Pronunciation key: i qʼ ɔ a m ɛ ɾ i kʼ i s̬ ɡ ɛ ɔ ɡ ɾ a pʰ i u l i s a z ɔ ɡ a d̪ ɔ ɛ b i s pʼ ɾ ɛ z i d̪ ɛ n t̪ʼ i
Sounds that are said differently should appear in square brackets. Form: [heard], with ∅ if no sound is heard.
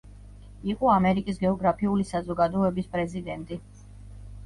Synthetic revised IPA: i qʼ ɔ a m ɛ ɾ i kʼ i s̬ ɡ ɛ ɔ ɡ ɾ a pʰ i u l i s a z ɔ ɡ a d̪ ɔ ɛ b i s pʼ ɾ ɛ z i d̪ ɛ n t̪ʼ i